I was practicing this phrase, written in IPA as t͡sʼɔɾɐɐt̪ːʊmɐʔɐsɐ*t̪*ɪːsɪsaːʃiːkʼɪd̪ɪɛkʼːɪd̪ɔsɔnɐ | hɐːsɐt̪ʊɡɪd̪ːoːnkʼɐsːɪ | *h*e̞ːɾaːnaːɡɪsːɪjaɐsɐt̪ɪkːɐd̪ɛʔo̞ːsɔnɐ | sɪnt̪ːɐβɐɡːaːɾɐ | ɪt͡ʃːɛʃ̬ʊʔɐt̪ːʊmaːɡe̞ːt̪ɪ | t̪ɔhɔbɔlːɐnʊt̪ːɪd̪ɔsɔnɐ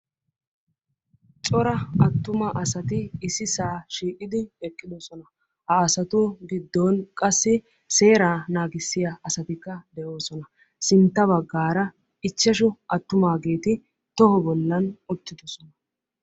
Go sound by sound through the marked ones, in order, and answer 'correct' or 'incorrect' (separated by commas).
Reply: correct, incorrect